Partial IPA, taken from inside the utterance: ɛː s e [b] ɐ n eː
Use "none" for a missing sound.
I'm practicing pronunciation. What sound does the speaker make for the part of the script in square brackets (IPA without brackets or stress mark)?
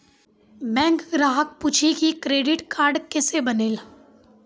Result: b